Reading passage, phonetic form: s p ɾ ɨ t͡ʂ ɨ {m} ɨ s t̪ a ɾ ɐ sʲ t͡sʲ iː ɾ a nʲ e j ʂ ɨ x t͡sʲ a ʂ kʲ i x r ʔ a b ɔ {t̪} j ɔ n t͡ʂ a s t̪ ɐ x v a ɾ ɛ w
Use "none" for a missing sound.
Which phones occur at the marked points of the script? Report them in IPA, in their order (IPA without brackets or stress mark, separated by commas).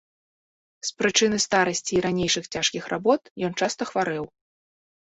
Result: n, t̪